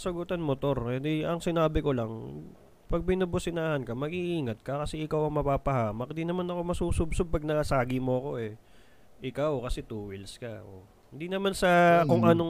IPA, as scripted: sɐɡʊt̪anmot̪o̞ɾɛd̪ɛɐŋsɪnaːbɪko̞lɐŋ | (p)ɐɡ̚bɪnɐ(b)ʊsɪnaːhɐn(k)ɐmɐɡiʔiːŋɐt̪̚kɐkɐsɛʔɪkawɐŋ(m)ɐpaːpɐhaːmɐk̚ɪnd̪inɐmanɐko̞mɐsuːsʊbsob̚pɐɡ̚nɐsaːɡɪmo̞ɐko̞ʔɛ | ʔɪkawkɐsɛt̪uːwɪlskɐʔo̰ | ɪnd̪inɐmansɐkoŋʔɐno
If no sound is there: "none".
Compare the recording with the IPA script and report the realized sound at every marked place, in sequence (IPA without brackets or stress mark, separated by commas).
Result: p, b, k, m